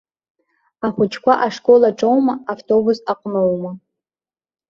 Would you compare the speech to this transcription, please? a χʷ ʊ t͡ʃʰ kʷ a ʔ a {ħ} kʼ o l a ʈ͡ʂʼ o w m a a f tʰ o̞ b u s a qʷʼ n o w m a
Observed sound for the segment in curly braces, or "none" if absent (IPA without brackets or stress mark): ʂ